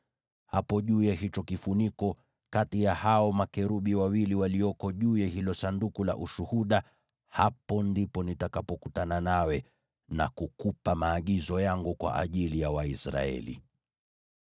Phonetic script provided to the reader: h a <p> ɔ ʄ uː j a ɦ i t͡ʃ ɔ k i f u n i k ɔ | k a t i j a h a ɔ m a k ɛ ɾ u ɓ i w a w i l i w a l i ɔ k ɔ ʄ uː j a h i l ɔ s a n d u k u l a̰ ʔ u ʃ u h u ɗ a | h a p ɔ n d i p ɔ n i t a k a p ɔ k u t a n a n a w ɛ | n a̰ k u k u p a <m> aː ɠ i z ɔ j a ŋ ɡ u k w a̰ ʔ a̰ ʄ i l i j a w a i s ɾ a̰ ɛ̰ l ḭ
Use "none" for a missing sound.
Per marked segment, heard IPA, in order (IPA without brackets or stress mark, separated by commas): p, m